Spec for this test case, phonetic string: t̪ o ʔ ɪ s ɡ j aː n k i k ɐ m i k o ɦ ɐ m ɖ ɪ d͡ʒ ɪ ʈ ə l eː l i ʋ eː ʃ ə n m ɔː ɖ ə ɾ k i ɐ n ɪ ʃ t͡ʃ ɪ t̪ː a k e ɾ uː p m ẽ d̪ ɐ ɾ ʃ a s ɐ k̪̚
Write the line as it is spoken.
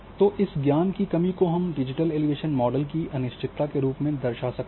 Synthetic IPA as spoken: t̪ o ʔ ɪ s ɡ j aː n k i k ɐ m i k o ɦ ɐ m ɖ ɪ d͡ʒ ɪ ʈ ə l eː l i ʋ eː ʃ ə n m ɔː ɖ ə l k i ɐ n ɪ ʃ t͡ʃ ɪ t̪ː a k e ɾ uː p m ẽ d̪ ɐ ɾ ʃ a s ɐ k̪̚

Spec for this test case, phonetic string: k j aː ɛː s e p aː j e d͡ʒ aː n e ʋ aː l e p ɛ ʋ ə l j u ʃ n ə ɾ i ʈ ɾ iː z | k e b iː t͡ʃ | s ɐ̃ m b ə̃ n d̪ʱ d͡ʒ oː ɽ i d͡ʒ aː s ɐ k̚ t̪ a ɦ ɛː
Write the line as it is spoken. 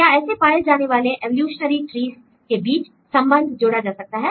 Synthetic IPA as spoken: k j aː ɛː s e p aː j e d͡ʒ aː n e ʋ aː l e ʔ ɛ ʋ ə l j uː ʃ n ə ɾ i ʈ ɾ iː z | k e b iː t͡ʃ | s ɐ̃ m b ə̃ n d̪ʱ d͡ʒ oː ɽ a d͡ʒ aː s ɐ k̚ t̪ a ɦ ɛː

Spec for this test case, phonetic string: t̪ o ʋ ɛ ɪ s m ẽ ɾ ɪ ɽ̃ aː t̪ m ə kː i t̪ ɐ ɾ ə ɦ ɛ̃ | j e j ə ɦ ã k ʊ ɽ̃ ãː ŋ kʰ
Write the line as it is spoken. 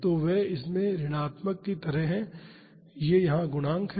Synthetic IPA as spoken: t̪ o ʋ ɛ ɪ s m ẽ ɾ ɪ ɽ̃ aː t̪ m ə kː i t̪ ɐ ɾ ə ɦ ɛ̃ | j e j ɐ ɦ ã ɡ ʊ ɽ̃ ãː ŋ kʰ

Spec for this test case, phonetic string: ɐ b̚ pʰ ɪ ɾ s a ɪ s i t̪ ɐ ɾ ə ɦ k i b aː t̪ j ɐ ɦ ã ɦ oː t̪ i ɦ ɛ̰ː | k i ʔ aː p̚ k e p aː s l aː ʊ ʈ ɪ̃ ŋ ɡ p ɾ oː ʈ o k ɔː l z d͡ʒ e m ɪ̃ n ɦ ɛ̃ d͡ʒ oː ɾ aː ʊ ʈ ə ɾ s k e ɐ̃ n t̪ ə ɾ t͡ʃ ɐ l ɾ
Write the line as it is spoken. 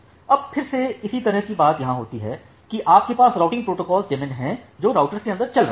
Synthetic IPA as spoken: ɐ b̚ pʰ ɪ ɾ s e ɪ s i t̪ ɐ ɾ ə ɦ k i b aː t̪ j ɐ ɦ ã ɦ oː t̪ i ɦ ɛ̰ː | k i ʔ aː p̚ k e p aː s ɾ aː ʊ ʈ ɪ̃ ŋ ɡ p ɾ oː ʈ o k ɔː l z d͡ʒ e m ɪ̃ n ɦ ɛ̃ d͡ʒ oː ɾ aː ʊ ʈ ə ɾ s k e ɐ̃ n d̪ ə ɾ t͡ʃ ɐ l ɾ

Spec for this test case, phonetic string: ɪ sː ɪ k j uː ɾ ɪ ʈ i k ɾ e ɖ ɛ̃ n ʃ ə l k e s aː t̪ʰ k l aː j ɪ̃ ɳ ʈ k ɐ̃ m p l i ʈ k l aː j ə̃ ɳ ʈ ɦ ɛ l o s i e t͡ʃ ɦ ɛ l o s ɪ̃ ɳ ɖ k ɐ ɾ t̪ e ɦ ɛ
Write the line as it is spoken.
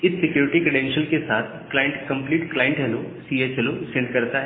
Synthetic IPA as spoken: ɪ sː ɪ k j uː ɾ ɪ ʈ i k ɾ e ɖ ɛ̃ n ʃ ə l k e s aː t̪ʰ k l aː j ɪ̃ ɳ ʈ k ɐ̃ m p l iː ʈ k l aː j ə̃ ɳ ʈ ɦ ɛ l o s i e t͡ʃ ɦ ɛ l o s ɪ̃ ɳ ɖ k ɐ ɾ t̪ a ɦ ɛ

